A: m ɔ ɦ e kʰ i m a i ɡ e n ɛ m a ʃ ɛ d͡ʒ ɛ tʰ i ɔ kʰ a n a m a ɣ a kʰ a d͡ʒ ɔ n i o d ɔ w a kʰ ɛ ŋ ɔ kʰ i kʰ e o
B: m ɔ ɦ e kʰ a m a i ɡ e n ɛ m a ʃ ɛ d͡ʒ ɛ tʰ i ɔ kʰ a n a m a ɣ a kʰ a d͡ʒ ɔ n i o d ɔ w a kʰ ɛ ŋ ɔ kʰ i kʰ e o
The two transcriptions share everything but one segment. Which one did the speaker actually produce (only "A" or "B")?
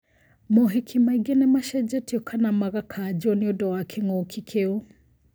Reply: A